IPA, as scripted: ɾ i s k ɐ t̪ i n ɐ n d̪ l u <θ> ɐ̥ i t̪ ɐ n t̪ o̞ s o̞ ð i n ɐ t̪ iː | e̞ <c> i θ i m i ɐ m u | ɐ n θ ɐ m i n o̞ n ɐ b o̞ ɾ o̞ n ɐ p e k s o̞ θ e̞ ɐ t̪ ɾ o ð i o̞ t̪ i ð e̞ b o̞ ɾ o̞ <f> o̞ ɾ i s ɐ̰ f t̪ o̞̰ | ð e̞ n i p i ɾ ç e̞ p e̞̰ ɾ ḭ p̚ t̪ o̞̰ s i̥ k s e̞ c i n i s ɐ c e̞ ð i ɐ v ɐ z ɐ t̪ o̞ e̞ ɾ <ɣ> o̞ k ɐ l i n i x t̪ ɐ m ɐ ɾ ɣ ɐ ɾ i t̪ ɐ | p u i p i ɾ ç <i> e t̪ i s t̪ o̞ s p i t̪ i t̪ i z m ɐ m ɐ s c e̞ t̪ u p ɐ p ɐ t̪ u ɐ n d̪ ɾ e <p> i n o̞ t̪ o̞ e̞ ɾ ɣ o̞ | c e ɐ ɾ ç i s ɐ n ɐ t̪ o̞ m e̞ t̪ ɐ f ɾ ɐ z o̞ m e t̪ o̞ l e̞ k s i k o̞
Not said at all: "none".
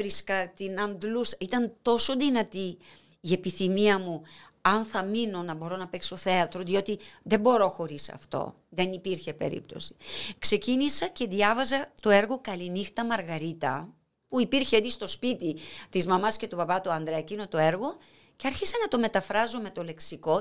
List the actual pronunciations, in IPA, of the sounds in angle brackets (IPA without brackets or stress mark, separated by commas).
s, p, x, ɣ, e, c